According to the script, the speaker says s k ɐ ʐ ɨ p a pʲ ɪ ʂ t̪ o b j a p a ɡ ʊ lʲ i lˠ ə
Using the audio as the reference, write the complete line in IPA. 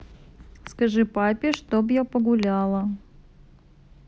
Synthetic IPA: s k ɐ ʐ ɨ p a pʲ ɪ ʂ t̪ o b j a p ə ɡ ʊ lʲ a lˠ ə